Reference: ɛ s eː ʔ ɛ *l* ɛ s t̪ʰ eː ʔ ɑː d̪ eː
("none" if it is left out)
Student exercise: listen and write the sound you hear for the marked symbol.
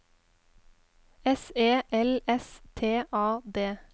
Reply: l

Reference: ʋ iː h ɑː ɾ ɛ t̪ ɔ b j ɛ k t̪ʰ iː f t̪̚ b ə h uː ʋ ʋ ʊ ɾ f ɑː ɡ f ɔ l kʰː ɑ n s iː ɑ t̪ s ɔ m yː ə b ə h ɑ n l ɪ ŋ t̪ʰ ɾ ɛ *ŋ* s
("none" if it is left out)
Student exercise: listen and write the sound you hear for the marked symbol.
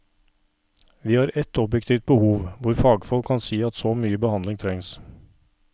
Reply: ŋ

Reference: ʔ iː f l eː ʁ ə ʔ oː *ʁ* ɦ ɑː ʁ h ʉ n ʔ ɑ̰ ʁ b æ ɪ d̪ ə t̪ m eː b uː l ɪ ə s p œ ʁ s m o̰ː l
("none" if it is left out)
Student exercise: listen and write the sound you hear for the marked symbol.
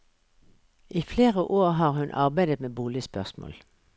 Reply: ʁ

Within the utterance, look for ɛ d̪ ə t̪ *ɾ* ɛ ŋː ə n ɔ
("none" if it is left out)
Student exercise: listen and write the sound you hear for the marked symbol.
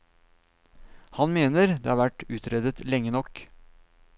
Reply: l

